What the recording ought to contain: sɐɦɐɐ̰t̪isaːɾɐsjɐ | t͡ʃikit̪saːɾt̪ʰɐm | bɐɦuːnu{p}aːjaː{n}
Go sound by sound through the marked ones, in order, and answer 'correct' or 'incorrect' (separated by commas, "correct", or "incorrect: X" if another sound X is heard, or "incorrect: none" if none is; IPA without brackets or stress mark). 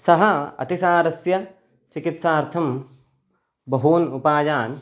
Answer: correct, correct